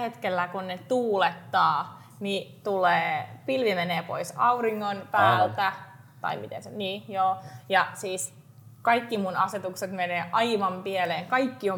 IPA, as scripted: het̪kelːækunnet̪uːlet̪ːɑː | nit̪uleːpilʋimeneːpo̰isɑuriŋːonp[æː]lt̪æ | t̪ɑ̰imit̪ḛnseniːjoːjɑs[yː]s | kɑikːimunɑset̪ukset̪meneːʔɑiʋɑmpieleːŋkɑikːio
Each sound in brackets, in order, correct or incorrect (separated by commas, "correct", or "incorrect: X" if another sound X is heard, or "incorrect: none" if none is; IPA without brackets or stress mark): correct, incorrect: iː